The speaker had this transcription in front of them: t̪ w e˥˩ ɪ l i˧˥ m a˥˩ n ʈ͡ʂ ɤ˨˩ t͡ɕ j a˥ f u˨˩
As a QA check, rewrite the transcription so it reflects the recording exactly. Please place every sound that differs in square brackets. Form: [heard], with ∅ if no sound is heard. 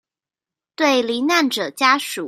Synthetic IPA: t̪ w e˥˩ ɪ l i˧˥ [n] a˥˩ n ʈ͡ʂ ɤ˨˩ t͡ɕ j a˥ [ʂ] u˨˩